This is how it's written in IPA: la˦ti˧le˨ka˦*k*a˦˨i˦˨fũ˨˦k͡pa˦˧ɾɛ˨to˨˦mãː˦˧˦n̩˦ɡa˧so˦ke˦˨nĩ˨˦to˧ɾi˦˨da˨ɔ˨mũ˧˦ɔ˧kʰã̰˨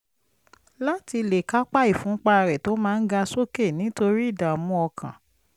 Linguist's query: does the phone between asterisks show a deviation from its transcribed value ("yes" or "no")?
yes